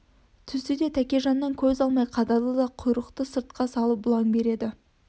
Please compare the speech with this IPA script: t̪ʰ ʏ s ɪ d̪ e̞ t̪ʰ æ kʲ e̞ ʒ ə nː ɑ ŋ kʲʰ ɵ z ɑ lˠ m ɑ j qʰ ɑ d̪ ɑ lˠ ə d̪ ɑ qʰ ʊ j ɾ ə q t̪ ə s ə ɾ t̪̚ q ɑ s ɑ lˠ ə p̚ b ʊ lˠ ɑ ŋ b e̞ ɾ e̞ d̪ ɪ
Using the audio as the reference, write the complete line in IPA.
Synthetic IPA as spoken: t̪ʰ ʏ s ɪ d̪ e̞ t̪ʰ æ kʲ e̞ ʒ ɑ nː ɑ ŋ kʲʰ ɵ z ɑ lˠ m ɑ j qʰ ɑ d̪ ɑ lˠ ə d̪ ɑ qʰ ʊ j ɾ ə q t̪ ə s ə ɾ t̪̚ q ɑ s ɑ lˠ ə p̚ b ʊ lˠ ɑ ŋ b e̞ ɾ e̞ d̪ ɪ